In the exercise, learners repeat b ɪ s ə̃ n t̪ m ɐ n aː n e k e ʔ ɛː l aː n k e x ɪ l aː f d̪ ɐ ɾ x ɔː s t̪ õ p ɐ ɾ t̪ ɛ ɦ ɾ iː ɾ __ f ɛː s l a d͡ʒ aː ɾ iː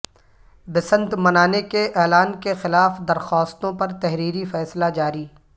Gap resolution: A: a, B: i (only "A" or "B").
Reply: B